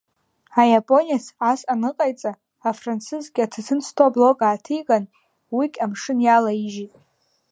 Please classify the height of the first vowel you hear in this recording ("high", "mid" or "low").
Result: low